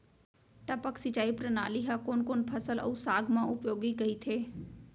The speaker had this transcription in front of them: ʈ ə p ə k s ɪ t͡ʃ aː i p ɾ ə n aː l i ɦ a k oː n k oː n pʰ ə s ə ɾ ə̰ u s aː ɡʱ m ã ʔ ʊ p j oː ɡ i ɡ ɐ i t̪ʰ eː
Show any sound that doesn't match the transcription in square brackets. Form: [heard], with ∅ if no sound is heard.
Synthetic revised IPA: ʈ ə p ə k s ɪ t͡ʃ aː i p ɾ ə n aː l i ɦ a k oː n k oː n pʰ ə s ə [l] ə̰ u s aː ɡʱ m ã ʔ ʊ p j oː ɡ i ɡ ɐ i t̪ʰ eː